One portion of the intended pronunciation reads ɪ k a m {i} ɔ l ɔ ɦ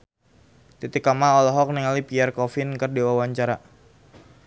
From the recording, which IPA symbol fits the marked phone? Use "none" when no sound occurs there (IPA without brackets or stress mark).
a